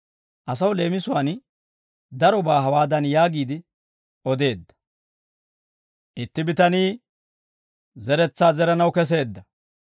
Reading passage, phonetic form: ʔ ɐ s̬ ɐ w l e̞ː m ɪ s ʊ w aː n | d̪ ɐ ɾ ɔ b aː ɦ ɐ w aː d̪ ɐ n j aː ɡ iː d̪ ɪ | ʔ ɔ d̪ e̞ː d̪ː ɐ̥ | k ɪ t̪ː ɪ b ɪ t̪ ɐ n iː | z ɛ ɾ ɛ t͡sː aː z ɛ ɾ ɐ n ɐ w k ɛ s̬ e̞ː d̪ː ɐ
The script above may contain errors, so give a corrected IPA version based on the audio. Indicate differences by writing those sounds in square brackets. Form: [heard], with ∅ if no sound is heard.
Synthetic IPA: ʔ ɐ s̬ ɐ w l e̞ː m ɪ s ʊ w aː n | d̪ ɐ ɾ ɔ b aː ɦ ɐ w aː d̪ ɐ n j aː ɡ iː d̪ ɪ | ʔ ɔ d̪ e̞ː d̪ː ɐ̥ | [ʔ] ɪ t̪ː ɪ b ɪ t̪ ɐ n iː | z ɛ ɾ ɛ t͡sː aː z ɛ ɾ ɐ n ɐ w k ɛ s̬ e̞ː d̪ː ɐ